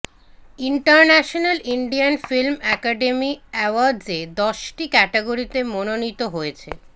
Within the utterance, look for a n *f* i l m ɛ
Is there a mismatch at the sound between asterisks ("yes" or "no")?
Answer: no